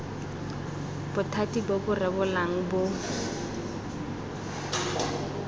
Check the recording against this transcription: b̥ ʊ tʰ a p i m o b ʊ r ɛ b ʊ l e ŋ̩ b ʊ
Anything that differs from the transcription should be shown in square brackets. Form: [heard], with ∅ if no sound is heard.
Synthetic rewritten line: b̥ ʊ tʰ a [t] i [b] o b ʊ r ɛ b ʊ l [a] ŋ̩ b ʊ